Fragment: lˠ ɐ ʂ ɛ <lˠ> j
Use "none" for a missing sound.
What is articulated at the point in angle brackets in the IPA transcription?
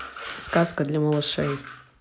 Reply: none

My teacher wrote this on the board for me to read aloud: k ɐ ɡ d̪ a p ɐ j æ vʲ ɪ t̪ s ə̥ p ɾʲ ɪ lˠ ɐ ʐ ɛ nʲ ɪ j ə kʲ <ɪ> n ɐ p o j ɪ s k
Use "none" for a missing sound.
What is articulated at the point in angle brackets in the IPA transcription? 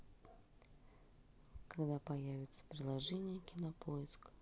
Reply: ɪ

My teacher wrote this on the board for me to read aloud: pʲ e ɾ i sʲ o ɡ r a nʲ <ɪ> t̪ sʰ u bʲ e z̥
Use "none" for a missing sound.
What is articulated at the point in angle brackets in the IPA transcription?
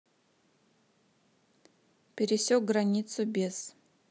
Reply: i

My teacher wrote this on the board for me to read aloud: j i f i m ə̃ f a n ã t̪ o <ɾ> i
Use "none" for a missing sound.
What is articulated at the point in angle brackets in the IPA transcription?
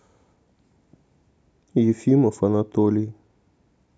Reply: l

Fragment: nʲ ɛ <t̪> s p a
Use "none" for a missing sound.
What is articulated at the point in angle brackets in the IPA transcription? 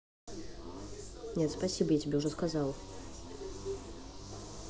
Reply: t̪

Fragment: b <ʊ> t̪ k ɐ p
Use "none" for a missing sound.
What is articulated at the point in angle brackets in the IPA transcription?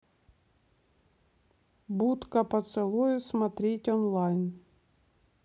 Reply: u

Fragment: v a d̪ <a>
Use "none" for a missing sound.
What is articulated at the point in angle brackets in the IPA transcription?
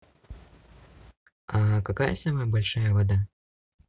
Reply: a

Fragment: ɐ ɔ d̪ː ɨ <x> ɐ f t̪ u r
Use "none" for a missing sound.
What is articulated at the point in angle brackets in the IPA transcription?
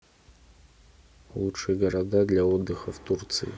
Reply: x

